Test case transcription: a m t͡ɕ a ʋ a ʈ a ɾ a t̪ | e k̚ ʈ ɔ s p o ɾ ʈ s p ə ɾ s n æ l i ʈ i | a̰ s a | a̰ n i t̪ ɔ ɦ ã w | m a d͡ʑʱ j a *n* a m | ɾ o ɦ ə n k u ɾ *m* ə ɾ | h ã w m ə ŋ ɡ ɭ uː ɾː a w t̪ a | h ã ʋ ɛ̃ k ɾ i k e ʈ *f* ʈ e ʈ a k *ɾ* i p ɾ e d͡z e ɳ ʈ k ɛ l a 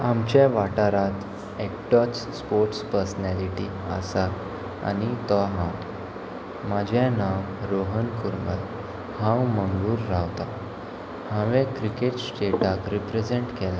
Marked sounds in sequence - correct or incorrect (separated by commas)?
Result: correct, correct, incorrect, correct